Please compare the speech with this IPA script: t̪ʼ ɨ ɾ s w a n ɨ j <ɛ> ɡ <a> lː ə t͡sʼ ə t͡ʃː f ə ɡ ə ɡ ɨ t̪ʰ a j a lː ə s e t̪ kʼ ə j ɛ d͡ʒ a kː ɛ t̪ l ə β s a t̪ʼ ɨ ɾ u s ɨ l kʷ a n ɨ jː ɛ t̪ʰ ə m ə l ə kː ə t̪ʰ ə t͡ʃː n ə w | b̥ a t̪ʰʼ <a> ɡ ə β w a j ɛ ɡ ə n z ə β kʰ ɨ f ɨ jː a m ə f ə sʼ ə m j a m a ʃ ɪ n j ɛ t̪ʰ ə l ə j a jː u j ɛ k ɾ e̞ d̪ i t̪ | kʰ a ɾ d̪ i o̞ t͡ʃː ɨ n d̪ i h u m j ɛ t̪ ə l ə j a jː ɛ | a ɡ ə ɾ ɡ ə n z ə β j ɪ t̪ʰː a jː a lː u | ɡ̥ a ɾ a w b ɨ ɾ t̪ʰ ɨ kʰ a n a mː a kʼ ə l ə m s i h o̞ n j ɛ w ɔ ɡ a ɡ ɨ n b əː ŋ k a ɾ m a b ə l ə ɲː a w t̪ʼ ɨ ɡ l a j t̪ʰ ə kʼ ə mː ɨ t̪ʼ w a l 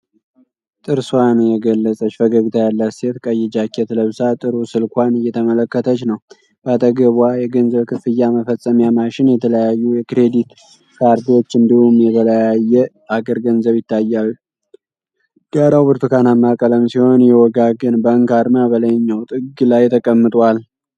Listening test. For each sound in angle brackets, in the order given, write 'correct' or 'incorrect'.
correct, incorrect: ə, incorrect: ə

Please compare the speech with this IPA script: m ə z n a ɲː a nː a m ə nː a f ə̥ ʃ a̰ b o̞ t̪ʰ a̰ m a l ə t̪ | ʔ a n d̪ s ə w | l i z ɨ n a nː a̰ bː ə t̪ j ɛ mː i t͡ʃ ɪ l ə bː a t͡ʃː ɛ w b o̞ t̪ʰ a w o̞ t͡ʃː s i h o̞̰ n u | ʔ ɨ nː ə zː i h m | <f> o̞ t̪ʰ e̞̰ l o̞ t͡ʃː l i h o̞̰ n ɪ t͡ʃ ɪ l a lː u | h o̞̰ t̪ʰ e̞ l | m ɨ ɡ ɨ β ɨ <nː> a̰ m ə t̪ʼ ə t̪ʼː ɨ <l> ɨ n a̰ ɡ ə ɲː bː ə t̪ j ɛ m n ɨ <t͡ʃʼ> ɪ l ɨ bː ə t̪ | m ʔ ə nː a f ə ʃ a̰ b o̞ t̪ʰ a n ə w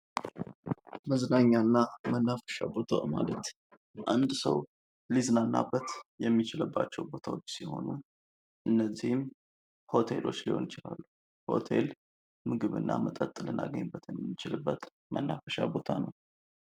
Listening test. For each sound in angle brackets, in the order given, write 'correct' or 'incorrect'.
incorrect: h, correct, correct, incorrect: t͡ʃ

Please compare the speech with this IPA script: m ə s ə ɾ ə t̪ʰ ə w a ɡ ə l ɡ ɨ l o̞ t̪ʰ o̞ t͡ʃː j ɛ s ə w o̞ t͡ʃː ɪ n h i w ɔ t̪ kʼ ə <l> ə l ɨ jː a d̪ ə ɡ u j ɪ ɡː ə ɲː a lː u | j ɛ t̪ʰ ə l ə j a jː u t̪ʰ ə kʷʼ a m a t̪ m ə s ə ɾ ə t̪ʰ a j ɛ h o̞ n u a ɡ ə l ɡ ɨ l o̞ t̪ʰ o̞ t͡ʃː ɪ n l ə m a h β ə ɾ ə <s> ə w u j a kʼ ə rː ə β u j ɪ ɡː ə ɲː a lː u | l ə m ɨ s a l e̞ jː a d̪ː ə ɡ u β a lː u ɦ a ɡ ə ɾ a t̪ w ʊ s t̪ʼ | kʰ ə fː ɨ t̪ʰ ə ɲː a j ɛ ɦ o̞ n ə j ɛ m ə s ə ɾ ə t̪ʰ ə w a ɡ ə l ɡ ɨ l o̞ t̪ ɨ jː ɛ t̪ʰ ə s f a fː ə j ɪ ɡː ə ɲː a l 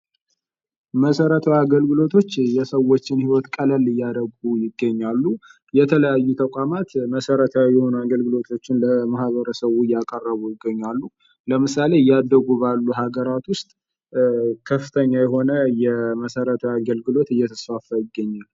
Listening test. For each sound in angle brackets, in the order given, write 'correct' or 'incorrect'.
correct, correct

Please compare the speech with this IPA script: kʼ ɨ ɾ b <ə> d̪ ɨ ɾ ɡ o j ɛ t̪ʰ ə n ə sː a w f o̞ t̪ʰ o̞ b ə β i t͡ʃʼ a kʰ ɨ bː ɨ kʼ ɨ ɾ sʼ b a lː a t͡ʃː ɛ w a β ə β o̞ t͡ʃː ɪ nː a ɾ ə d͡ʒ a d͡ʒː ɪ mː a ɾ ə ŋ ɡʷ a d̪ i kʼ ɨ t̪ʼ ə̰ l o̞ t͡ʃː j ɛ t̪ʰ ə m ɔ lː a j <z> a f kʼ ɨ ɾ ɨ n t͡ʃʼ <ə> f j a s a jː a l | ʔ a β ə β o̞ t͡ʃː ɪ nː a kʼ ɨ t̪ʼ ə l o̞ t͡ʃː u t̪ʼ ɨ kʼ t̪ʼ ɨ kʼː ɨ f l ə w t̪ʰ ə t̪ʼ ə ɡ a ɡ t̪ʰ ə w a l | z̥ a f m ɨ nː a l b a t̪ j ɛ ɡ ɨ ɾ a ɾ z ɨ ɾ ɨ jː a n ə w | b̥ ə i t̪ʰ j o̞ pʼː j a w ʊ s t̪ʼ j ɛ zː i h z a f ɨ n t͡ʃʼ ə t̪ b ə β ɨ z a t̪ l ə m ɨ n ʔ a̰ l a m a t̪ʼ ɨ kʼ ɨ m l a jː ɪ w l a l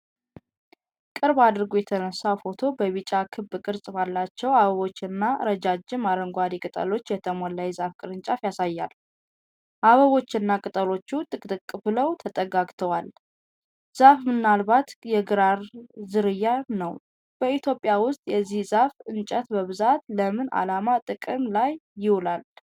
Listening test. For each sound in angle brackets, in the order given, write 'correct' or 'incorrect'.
incorrect: a, correct, incorrect: a

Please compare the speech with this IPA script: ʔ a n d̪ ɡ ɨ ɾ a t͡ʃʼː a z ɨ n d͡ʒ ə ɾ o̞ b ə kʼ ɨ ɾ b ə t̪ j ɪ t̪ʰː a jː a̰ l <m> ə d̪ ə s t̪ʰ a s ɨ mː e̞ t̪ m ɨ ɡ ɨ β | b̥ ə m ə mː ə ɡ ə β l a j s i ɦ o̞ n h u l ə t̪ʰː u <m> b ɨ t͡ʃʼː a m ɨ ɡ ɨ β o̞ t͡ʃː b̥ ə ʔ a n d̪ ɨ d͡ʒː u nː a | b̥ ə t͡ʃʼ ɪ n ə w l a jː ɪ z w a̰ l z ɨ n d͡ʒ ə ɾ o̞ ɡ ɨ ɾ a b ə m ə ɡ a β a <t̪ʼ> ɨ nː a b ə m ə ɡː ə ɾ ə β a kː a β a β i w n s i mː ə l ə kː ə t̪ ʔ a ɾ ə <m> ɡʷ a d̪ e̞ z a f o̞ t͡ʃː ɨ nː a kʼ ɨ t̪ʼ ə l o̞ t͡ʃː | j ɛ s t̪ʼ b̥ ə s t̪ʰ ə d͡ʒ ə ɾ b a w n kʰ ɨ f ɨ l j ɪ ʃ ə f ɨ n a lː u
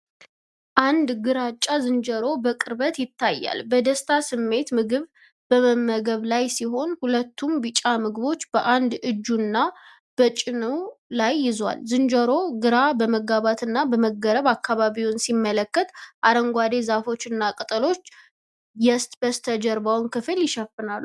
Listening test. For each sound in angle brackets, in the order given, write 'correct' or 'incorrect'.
incorrect: b, correct, incorrect: t̪, incorrect: ŋ

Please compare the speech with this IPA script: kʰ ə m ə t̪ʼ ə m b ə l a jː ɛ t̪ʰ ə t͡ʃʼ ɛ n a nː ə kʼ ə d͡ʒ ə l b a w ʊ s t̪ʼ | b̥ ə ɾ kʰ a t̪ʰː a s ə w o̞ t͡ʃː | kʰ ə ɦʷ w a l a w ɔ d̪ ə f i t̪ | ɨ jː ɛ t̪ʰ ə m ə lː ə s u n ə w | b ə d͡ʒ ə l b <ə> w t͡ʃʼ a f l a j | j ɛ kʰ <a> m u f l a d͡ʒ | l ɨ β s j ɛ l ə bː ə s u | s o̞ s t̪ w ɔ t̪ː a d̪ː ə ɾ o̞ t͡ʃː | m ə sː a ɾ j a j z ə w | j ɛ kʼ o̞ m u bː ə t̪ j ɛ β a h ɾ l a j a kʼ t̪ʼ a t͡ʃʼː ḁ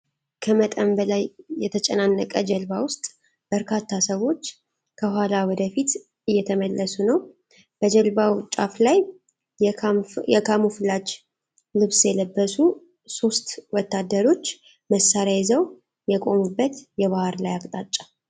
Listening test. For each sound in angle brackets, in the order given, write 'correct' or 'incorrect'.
incorrect: a, correct

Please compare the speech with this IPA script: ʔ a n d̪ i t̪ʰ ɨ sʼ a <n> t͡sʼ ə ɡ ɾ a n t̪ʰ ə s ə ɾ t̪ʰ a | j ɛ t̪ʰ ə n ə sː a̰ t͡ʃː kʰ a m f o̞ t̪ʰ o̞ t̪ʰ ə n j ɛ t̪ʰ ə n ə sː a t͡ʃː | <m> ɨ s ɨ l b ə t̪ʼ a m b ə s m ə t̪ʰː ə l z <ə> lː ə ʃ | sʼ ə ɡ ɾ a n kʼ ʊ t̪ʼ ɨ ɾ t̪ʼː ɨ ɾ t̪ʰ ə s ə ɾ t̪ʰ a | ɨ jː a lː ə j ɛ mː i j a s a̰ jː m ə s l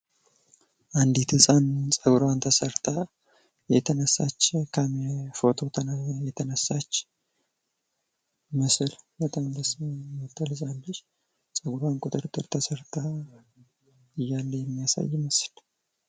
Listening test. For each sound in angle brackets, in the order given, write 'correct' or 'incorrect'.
correct, correct, incorrect: a

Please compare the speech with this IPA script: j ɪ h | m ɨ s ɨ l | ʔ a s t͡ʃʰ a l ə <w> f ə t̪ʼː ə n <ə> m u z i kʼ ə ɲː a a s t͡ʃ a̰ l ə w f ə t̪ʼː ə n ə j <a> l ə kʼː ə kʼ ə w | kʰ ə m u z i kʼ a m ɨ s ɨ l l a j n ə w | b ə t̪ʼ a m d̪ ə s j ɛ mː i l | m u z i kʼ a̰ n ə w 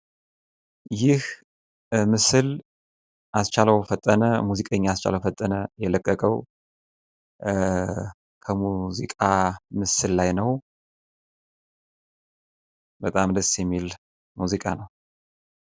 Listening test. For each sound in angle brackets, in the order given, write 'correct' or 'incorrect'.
correct, correct, incorrect: ɛ

